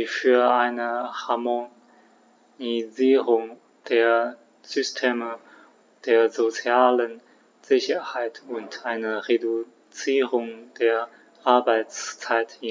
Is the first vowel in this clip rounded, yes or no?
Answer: yes